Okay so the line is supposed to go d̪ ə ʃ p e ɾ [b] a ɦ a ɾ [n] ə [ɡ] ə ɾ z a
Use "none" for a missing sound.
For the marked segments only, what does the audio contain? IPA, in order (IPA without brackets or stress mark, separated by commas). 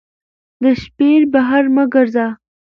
b, m, ɡ